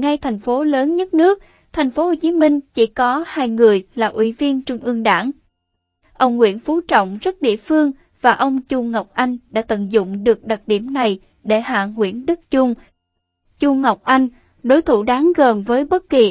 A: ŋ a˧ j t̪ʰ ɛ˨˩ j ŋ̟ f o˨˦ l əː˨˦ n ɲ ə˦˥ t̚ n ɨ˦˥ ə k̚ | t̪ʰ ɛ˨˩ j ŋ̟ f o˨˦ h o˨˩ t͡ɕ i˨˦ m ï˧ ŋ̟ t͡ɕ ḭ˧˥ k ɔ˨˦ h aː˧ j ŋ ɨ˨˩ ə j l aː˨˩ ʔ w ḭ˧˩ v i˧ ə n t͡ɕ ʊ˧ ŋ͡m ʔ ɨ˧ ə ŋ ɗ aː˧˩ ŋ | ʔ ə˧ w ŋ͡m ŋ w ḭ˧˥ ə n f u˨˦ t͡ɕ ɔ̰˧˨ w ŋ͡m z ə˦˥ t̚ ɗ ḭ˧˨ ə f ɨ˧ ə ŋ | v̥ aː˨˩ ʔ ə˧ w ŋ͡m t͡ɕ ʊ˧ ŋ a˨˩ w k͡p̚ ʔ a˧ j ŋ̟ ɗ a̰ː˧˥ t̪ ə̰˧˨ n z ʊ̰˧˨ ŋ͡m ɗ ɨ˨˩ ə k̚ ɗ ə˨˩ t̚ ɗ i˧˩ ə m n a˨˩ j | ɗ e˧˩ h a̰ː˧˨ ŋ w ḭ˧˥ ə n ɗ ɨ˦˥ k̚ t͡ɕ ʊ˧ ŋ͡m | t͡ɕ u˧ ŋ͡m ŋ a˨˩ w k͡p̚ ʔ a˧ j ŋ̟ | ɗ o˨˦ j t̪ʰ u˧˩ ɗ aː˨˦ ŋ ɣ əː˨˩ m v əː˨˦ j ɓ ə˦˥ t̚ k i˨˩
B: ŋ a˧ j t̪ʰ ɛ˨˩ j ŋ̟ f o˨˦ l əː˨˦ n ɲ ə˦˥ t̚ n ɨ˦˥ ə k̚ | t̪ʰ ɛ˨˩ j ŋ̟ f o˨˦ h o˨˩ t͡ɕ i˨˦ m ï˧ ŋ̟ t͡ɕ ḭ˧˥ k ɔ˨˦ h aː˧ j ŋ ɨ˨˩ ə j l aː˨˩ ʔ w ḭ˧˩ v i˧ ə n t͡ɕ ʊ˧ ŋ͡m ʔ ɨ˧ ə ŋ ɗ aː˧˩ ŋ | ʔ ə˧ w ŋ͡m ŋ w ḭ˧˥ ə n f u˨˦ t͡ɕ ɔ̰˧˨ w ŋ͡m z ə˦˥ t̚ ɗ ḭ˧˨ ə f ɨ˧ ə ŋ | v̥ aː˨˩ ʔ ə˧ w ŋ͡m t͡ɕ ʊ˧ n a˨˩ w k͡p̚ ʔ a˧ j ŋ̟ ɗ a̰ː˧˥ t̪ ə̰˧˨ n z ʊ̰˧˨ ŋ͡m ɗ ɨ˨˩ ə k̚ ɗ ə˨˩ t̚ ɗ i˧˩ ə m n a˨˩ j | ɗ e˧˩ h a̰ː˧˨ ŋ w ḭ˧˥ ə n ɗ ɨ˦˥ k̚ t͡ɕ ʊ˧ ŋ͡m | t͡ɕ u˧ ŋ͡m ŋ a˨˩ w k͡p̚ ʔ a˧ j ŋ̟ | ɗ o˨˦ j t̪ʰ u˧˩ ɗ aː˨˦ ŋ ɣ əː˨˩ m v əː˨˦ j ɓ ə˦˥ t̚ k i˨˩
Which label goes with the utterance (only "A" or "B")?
A